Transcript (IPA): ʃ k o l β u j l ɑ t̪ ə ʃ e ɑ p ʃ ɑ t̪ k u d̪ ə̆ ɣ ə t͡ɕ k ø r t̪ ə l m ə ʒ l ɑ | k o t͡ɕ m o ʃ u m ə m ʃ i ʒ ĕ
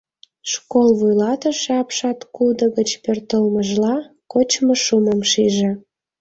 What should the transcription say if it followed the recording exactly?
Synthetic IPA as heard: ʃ k o l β u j l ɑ t̪ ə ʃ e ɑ p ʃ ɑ t̪ k u d̪ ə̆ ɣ ə t͡ɕ p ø r t̪ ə l m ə ʒ l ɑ | k o t͡ɕ m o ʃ u m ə m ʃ i ʒ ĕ

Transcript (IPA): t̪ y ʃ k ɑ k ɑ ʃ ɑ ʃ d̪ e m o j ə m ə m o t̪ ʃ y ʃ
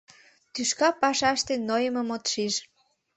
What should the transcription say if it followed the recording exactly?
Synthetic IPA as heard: t̪ y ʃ k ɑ p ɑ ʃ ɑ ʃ t̪ e n o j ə m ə m o t̪ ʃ i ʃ

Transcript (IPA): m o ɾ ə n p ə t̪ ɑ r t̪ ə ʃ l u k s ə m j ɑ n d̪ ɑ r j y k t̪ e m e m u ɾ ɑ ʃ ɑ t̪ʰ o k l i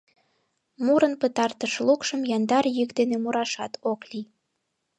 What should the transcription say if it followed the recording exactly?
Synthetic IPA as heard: m u ɾ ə n p ə t̪ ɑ r t̪ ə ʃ l u k ʃ ə m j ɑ n d̪ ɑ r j y k d̪ e n e m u ɾ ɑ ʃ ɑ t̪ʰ o k l i

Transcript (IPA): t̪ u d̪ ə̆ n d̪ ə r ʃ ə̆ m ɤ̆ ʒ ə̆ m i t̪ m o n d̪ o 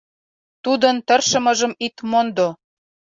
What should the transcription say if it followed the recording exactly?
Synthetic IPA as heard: t̪ u d̪ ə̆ n t̪ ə r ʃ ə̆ m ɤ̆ ʒ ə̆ m i t̪ m o n d̪ o

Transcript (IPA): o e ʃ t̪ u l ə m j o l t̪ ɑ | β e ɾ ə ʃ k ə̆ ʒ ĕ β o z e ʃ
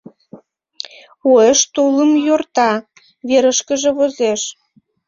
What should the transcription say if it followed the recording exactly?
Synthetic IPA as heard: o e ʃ t̪ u l ə m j o r t̪ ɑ | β e ɾ ə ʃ k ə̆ ʒ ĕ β o z e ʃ

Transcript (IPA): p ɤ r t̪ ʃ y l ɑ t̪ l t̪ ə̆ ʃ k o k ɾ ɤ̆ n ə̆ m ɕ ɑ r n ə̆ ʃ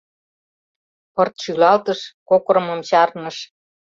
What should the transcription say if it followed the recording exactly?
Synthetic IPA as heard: p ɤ r t̪ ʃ y l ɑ l t̪ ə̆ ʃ k o k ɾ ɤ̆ m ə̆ m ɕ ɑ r n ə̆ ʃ

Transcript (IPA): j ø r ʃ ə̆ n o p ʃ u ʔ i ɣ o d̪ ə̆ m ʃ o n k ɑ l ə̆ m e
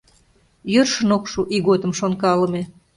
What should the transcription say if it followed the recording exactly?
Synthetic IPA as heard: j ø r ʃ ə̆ n o k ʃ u ʔ i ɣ o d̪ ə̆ m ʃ o n k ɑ l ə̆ m e

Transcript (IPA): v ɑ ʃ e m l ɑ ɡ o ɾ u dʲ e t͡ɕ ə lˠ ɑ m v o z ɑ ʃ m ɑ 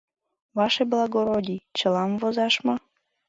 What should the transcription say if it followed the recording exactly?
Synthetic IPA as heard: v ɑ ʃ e b l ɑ ɡ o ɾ o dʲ i t͡ɕ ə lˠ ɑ m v o z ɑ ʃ m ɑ

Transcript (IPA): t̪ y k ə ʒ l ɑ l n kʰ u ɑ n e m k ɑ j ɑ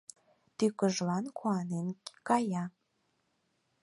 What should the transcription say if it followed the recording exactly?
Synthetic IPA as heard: t̪ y k ə ʒ l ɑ n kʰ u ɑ n e n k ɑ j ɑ

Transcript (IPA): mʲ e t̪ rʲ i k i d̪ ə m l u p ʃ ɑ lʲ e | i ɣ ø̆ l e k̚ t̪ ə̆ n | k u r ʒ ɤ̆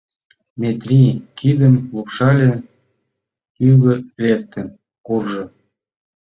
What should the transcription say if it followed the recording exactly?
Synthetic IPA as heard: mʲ e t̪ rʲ i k i d̪ ə m l u p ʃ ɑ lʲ e | y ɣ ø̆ l e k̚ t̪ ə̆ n | k u r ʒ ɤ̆

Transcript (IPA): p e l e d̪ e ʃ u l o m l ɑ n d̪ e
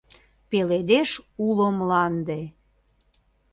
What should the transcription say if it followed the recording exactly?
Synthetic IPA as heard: p e l e d̪ e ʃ u l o m l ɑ n d̪ e

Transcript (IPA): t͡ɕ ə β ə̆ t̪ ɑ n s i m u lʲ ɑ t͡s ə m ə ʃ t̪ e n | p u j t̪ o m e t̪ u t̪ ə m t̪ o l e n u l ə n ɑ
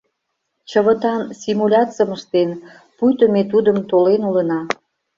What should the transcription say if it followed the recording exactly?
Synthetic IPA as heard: t͡ɕ ə β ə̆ t̪ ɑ n s i m u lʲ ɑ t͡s ə m ə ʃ t̪ e n | p u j t̪ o m e t̪ u d̪ ə m t̪ o l e n u l ə n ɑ

